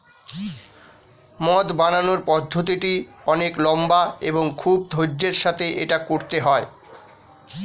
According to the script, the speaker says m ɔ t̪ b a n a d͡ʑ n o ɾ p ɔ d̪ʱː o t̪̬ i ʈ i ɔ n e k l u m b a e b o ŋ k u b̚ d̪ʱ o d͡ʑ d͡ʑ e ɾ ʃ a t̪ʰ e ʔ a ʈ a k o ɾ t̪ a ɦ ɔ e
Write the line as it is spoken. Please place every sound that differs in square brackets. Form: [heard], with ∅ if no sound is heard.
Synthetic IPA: m ɔ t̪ b a n a [∅] n o ɾ p ɔ d̪ʱː o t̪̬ i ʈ i ɔ n e k l [ɔ] m b a e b o ŋ [kʰ] u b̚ d̪ʱ o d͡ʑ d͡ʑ e ɾ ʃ a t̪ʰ e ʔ [e] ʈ a k o ɾ t̪ [e] ɦ ɔ e